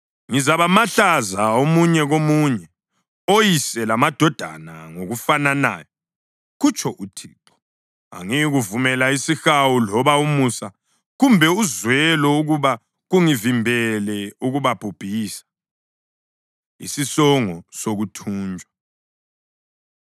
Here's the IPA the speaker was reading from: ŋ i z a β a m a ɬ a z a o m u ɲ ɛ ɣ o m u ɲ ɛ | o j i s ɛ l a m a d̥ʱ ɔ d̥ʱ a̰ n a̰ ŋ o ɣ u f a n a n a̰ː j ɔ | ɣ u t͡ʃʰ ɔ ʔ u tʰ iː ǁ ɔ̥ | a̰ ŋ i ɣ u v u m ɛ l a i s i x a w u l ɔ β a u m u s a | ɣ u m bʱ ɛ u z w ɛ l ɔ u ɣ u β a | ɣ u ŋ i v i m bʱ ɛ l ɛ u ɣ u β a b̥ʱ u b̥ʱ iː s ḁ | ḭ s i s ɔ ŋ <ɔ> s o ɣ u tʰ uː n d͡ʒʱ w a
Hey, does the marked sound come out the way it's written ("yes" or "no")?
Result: yes